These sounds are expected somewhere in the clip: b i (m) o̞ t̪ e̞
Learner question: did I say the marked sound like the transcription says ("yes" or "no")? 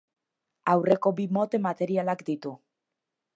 yes